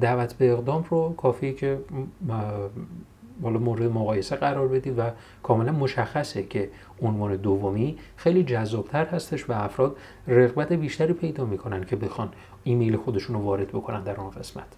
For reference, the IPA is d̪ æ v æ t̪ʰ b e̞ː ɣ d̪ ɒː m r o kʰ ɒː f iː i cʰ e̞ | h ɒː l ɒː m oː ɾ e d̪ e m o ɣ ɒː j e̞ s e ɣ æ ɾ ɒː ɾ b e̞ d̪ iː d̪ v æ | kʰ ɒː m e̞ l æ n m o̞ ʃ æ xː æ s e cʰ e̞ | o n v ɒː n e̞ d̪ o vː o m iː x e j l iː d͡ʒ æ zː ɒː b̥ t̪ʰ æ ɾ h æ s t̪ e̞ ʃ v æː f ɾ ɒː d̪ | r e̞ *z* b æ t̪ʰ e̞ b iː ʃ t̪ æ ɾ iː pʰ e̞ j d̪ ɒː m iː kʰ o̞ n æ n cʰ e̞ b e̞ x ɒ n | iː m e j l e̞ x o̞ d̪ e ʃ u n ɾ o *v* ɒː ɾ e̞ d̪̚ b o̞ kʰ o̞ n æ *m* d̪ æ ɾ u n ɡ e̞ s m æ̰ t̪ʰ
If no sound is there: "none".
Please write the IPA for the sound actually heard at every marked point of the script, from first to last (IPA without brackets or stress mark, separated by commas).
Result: ɣ, v, n